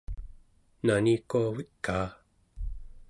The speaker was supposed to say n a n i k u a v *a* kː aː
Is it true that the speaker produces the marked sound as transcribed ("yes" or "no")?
no